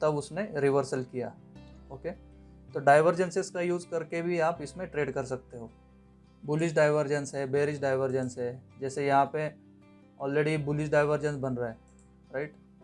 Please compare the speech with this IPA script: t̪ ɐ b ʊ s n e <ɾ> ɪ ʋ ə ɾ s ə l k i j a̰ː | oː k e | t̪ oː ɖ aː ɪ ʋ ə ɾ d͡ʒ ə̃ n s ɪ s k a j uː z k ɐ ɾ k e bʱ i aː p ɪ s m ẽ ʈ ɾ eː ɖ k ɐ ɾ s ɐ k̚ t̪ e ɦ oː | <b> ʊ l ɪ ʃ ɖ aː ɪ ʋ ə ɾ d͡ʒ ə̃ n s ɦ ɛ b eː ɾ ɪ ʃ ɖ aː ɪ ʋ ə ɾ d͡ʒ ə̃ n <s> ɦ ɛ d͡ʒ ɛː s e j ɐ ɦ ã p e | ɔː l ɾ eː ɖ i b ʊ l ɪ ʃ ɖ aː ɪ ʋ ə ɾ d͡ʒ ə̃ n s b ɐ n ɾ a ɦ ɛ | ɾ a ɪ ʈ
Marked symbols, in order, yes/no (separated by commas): yes, yes, yes